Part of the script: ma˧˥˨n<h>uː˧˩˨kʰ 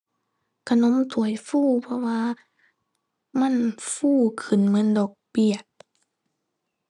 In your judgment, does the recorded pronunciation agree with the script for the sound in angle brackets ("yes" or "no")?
no